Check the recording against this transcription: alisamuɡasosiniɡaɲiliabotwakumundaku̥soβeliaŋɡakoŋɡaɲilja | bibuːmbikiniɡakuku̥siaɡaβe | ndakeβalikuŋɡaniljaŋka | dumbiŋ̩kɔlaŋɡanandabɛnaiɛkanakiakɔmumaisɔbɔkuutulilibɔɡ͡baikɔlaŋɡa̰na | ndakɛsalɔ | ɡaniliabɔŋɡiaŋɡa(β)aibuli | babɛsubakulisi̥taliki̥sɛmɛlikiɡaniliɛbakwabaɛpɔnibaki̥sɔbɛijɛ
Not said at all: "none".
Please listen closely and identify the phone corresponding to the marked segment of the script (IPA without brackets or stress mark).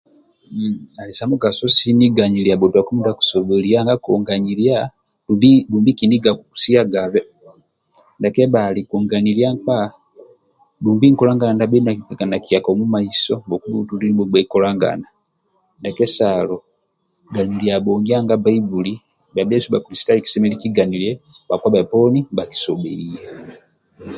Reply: b